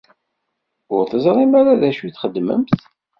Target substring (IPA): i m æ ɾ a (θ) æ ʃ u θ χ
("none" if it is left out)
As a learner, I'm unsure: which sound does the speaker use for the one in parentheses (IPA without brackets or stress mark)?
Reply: ð